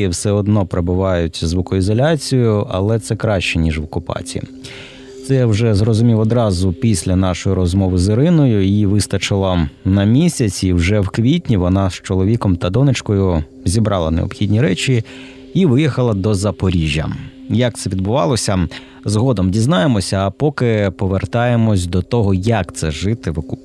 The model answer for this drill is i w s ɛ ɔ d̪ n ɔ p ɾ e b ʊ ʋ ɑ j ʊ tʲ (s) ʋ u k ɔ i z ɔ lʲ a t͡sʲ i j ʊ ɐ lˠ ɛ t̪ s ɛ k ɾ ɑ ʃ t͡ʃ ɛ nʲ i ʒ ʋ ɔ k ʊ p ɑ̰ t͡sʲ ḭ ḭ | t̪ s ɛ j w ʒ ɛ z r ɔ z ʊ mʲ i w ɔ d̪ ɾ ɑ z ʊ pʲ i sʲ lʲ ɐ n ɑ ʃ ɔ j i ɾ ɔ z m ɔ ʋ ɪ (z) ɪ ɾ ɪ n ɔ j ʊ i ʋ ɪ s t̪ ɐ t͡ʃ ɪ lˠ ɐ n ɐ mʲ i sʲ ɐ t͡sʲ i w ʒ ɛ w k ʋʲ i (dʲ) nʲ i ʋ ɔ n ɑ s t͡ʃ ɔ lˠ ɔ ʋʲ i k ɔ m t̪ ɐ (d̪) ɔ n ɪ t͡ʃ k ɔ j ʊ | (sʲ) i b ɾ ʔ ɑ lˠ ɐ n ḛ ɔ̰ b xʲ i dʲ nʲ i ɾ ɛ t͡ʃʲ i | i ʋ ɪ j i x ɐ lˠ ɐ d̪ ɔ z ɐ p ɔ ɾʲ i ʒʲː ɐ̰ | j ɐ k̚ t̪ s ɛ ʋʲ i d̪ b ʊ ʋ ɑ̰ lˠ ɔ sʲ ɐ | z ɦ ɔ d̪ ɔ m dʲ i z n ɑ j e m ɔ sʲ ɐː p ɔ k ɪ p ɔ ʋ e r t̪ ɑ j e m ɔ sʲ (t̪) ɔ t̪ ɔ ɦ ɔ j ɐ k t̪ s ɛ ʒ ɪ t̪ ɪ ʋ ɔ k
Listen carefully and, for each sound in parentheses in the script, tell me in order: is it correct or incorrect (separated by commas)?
incorrect, correct, incorrect, correct, incorrect, incorrect